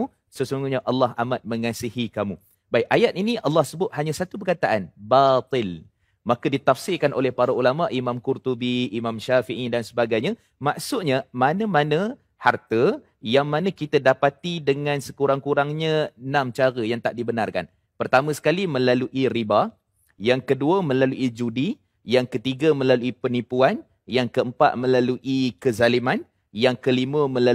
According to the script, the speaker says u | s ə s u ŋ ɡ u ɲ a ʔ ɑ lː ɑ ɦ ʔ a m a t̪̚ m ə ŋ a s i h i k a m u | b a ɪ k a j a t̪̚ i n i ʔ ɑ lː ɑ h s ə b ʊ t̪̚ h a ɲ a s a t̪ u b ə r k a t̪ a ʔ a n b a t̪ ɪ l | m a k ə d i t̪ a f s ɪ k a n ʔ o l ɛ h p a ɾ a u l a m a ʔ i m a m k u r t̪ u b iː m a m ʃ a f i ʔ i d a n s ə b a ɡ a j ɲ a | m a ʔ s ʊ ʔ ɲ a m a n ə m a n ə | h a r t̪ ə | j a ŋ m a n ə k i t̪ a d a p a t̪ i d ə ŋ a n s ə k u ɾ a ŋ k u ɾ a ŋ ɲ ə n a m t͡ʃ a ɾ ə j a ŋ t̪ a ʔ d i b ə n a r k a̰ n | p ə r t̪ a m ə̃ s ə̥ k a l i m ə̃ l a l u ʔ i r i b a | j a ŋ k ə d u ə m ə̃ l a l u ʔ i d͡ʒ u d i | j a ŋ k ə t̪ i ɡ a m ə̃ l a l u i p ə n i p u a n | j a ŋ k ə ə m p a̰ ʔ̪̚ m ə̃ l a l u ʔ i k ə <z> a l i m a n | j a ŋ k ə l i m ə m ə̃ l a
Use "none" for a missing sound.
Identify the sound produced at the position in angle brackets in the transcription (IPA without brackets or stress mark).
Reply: z